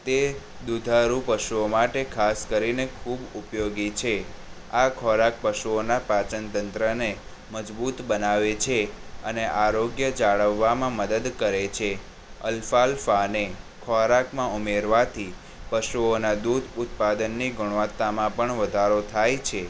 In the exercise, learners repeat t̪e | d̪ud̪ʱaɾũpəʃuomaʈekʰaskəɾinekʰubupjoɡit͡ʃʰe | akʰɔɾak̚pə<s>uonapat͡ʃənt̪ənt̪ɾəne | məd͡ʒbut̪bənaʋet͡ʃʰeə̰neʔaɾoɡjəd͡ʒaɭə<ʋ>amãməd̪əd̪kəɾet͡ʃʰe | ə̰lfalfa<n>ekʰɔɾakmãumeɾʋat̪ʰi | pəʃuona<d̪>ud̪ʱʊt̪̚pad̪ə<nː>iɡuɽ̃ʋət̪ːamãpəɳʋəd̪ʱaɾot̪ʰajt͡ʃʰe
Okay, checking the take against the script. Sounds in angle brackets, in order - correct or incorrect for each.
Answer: incorrect: ʃ, incorrect: ʋː, correct, correct, correct

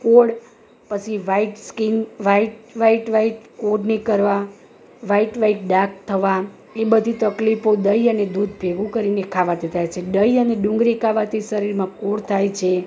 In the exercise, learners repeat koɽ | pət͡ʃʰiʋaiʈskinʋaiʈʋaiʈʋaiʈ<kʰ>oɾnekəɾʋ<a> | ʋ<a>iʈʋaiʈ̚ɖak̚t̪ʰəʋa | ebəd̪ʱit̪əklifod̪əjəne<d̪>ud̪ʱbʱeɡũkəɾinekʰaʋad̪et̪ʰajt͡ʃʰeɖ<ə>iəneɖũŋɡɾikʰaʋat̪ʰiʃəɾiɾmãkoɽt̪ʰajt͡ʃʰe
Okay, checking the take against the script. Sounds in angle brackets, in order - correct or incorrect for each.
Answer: incorrect: k, correct, correct, correct, correct

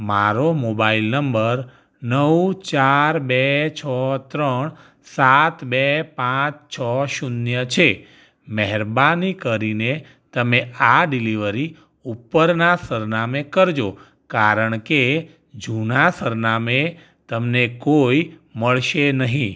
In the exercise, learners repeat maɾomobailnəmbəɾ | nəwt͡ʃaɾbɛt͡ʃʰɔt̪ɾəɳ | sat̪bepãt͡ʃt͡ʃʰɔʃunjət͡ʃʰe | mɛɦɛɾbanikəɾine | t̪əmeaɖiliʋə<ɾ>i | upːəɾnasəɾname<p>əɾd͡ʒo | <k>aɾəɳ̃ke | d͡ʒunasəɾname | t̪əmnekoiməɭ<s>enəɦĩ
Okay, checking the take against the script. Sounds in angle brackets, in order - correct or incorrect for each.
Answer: correct, incorrect: k, correct, incorrect: ʃ

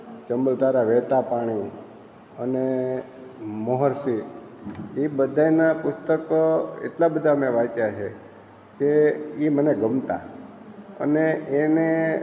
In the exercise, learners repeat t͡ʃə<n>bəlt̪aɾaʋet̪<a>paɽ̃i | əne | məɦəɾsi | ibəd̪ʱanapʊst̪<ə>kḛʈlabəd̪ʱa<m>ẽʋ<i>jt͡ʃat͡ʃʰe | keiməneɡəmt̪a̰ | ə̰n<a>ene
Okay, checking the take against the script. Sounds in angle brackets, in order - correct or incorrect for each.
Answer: incorrect: m, correct, correct, correct, incorrect: a, incorrect: e

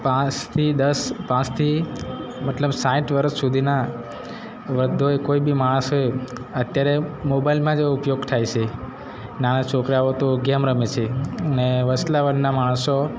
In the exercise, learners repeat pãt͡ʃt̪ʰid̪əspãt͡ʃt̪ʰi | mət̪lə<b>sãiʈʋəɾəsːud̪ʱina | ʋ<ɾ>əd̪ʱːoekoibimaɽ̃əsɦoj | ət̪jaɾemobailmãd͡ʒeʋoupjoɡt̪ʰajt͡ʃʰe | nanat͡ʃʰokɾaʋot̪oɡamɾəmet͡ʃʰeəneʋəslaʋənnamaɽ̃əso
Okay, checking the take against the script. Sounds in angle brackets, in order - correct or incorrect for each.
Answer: correct, correct

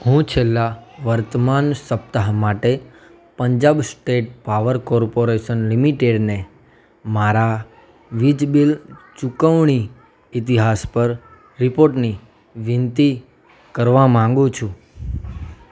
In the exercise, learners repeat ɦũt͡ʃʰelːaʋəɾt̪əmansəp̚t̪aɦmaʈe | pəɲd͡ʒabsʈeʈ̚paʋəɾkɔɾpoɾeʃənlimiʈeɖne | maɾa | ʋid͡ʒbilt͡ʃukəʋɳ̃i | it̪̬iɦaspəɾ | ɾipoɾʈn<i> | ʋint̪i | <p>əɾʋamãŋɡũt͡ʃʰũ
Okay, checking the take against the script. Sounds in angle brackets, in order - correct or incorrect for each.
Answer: correct, incorrect: k

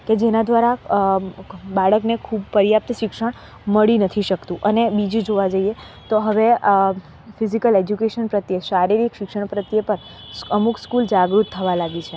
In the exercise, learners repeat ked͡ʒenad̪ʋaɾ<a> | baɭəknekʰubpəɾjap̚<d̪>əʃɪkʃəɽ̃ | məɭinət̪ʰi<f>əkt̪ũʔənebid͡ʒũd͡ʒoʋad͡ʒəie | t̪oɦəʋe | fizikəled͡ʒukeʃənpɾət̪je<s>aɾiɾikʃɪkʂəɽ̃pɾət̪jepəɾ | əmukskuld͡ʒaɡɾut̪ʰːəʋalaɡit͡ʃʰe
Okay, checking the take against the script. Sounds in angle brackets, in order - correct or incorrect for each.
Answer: correct, incorrect: t̪, incorrect: ʃ, incorrect: ʃ

